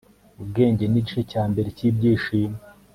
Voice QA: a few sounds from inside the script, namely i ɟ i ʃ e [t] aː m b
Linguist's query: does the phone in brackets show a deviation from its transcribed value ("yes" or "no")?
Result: yes